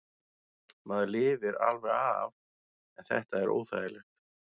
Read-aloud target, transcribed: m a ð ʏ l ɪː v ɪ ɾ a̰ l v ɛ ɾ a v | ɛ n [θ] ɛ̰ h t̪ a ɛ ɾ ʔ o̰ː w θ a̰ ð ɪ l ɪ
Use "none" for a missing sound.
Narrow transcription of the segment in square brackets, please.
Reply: θ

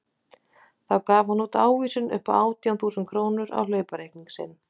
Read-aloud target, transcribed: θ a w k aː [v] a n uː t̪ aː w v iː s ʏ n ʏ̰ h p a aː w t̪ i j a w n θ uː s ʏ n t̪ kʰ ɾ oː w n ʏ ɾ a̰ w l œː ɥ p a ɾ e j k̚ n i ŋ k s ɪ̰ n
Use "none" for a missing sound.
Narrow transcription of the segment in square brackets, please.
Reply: v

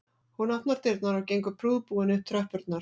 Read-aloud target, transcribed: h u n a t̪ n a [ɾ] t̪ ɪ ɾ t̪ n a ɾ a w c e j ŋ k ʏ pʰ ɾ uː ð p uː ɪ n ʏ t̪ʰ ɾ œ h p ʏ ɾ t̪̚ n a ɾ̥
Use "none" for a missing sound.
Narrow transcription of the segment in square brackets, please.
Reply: ɾ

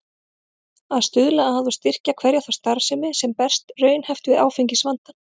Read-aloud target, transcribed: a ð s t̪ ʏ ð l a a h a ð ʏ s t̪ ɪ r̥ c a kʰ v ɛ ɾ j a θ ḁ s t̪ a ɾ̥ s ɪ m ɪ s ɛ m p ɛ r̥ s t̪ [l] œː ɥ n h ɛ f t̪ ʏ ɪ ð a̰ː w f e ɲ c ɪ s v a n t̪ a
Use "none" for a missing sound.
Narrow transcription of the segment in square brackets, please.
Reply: r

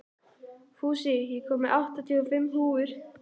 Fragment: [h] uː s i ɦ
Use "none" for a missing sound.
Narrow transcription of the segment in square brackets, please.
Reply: f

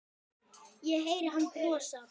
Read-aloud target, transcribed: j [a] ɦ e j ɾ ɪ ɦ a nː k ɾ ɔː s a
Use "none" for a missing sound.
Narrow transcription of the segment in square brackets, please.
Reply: ɛ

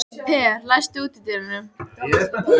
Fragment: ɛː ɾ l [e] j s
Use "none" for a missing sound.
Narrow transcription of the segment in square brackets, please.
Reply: a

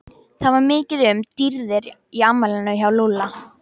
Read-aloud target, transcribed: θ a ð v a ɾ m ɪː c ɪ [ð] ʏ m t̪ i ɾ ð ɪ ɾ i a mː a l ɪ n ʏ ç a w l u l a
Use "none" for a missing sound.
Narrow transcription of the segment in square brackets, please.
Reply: ð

